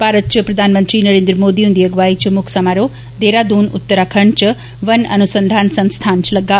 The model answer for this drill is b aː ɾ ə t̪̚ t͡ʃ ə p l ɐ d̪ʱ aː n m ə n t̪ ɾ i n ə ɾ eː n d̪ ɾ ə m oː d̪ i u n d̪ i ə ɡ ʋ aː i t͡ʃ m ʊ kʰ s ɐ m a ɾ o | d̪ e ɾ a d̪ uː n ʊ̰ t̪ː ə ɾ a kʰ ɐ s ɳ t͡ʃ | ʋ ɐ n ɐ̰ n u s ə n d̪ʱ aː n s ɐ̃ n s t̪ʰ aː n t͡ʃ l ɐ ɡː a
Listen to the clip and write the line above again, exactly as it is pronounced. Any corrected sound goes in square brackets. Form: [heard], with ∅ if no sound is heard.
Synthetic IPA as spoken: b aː ɾ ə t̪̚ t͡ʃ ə p [ɾ] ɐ d̪ʱ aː n m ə n t̪ ɾ i n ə ɾ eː n d̪ ɾ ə m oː d̪ i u n d̪ i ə ɡ ʋ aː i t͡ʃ m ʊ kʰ s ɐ m a ɾ o | d̪ e ɾ a d̪ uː n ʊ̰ t̪ː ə ɾ a kʰ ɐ [∅] ɳ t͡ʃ | ʋ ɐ n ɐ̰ n u s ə n d̪ʱ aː n s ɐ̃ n s t̪ʰ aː n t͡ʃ l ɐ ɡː a

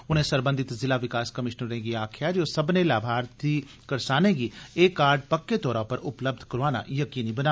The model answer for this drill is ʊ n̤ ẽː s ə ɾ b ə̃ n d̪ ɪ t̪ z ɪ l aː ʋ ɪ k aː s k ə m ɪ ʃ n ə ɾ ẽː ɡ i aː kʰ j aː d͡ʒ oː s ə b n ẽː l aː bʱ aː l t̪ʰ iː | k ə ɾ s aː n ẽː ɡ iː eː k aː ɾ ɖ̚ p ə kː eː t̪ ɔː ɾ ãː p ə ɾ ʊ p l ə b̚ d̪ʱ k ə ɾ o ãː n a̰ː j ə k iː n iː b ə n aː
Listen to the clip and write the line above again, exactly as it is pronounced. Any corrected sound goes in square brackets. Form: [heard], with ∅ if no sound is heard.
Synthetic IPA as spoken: ʊ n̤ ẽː s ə ɾ b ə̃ n d̪ ɪ t̪ z ɪ l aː ʋ ɪ k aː s k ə m ɪ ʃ n ə ɾ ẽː ɡ i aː kʰ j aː d͡ʒ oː s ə b n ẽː l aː bʱ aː [ɾ] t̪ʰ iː | k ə ɾ s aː n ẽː ɡ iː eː k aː ɾ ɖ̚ p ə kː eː t̪ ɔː ɾ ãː p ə ɾ ʊ p l ə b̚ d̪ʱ k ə ɾ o [aː] n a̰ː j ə k iː n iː b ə n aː

